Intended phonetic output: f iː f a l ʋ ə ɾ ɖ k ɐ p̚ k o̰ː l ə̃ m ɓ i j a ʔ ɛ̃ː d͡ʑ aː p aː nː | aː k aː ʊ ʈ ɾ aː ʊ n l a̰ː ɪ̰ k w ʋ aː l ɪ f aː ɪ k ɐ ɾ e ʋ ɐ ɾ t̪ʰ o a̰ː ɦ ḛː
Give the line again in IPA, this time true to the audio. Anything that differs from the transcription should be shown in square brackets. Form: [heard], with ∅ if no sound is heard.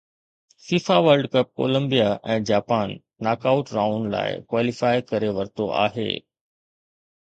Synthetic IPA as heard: f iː f a [∅] ʋ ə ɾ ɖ k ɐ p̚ k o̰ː l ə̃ m [b] i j a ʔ ɛ̃ː d͡ʑ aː p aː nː | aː k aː ʊ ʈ ɾ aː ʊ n l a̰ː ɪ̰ k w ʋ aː l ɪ f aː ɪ k ɐ ɾ e ʋ ɐ ɾ [t̪] o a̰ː ɦ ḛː